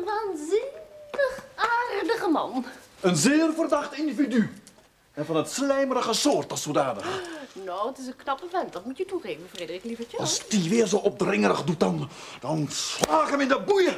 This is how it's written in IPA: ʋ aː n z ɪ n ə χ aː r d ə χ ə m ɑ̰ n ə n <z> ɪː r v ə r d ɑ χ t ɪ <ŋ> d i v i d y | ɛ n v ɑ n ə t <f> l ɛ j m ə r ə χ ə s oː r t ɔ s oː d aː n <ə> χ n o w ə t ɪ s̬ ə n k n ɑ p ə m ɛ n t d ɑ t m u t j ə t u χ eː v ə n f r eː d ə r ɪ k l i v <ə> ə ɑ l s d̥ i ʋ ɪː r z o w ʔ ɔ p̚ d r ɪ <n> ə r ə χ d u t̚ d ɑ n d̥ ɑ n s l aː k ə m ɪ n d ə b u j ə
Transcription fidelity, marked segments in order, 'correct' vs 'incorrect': correct, incorrect, incorrect, correct, correct, incorrect

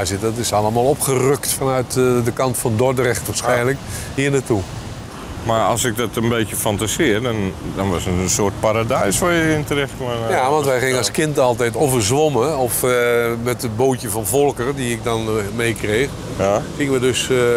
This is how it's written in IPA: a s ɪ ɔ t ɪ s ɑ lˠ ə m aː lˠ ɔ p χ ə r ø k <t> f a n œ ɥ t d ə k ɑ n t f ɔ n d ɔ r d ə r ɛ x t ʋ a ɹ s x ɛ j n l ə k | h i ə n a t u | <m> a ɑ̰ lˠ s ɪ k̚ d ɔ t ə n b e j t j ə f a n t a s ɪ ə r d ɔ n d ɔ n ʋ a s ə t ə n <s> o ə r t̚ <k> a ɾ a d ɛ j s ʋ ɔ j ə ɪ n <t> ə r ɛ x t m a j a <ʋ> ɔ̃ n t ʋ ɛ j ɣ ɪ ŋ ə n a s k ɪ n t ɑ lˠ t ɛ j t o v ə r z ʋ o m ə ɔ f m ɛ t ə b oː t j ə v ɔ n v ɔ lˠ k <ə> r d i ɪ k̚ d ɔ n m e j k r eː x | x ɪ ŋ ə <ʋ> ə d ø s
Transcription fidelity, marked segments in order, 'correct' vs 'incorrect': correct, correct, correct, incorrect, correct, correct, correct, correct

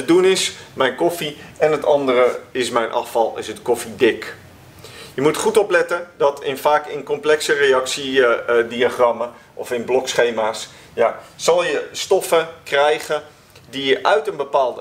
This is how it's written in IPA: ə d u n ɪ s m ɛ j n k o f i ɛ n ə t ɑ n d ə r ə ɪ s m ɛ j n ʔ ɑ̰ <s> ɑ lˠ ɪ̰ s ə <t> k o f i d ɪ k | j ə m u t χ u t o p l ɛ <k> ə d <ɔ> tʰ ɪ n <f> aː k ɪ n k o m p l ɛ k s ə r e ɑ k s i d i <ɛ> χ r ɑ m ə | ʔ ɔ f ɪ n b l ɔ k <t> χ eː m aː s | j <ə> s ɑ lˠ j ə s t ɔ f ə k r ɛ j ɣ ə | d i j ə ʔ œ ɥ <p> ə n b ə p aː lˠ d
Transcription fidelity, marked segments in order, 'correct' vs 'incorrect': incorrect, correct, incorrect, correct, correct, incorrect, incorrect, incorrect, incorrect

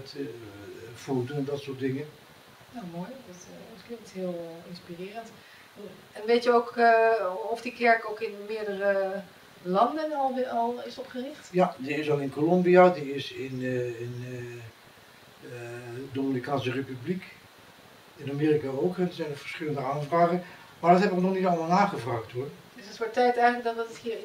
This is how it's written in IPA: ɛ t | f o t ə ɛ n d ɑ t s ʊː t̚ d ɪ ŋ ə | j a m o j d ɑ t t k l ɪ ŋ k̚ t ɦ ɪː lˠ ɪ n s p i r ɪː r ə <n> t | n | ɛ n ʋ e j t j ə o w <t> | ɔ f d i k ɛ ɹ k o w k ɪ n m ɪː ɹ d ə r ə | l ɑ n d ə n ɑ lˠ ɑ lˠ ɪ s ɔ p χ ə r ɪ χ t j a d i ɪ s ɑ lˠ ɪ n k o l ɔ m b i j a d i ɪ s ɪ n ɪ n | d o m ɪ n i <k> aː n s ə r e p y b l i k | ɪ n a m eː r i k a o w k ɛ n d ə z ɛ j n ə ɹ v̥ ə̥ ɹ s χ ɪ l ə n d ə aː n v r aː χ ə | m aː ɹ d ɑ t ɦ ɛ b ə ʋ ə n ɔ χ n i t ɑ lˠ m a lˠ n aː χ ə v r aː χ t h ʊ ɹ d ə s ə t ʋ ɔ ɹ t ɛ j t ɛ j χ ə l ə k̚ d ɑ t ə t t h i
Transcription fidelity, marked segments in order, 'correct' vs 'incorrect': correct, incorrect, correct

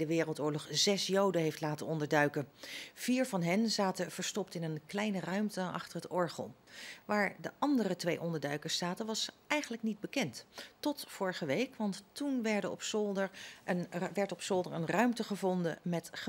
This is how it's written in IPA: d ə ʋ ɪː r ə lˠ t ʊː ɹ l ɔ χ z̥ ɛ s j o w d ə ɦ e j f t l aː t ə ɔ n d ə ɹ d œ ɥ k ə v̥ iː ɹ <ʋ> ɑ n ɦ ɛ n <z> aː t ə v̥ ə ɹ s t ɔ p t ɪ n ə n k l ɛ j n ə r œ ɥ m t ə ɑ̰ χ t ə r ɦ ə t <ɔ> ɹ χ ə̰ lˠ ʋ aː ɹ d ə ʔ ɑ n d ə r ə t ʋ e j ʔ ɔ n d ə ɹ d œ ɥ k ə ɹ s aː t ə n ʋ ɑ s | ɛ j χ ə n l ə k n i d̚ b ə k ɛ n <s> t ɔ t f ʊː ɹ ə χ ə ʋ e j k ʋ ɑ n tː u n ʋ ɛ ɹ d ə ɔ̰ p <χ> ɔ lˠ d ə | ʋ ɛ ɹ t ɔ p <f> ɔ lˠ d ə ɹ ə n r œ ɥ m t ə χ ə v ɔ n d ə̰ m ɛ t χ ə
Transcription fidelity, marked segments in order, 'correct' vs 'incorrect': incorrect, correct, correct, incorrect, incorrect, incorrect

